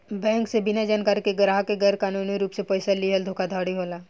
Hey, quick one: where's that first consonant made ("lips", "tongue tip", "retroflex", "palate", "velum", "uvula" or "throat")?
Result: lips